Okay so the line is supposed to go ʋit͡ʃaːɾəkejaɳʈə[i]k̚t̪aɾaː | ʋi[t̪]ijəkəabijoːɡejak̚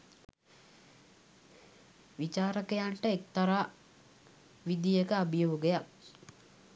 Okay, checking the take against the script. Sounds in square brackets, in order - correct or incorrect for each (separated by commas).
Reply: incorrect, incorrect